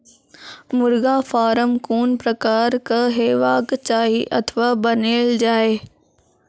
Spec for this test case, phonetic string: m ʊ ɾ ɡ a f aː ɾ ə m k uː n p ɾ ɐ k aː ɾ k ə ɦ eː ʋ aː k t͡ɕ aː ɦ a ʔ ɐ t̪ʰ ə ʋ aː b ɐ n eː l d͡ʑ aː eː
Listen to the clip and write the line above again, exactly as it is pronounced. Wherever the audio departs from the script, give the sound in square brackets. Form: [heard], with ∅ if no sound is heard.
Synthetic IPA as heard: m ʊ ɾ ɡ a f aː ɾ ə m k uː n p ɾ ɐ k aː ɾ k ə ɦ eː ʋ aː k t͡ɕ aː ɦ [i] ʔ ɐ t̪ʰ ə ʋ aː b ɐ n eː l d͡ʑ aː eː